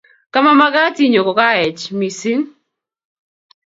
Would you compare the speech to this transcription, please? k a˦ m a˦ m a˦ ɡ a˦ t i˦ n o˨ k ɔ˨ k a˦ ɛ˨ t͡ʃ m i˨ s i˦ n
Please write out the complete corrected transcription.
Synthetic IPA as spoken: k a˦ m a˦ m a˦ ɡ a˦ t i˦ ɲ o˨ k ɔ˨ k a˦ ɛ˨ t͡ʃ m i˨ s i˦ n